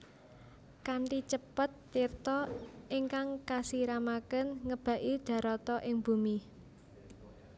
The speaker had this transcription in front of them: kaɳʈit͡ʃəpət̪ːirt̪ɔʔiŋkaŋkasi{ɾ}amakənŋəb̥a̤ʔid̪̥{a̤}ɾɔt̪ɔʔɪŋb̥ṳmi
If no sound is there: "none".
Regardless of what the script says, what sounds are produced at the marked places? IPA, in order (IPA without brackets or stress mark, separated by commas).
ɾ, a̤